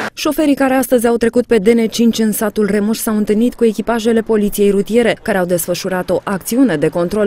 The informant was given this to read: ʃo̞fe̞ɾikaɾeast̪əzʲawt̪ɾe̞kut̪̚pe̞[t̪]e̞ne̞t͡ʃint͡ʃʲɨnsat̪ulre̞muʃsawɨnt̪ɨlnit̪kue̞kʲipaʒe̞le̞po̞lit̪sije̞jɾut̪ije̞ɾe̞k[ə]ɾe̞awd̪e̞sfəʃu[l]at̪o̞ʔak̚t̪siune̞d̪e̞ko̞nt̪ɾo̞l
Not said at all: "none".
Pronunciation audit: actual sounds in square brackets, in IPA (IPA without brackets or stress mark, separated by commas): d̪, a, ɾ